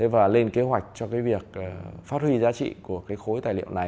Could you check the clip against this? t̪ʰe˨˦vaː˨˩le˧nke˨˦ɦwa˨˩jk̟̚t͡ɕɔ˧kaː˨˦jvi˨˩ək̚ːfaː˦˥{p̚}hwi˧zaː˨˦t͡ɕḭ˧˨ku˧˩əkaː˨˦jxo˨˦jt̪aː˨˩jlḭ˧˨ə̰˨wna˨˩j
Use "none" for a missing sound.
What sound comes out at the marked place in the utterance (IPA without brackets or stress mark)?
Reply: t̚